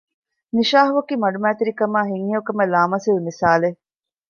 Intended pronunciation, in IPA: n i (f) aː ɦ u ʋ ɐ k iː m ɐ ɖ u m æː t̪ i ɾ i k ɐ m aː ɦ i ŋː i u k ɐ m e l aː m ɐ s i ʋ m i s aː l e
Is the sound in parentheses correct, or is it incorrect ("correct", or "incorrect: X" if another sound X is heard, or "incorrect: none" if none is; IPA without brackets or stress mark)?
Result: incorrect: ʃ